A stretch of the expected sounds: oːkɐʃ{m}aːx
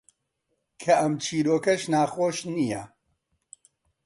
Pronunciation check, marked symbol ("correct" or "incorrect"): incorrect